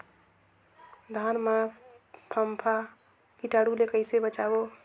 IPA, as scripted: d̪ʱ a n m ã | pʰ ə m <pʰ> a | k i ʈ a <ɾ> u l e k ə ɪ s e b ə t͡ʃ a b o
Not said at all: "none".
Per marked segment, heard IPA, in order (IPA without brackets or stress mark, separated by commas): pʰ, ɽ